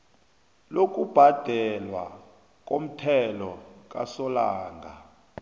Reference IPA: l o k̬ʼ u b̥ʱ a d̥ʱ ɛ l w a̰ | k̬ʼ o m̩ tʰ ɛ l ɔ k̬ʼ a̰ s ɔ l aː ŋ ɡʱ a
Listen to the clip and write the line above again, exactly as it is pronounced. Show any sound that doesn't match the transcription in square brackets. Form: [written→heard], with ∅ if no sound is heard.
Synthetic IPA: l o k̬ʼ u b̥ʱ a d̥ʱ ɛ l w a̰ | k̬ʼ o m̩ tʰ ɛ l ɔ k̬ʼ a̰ s ɔ l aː ŋ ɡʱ a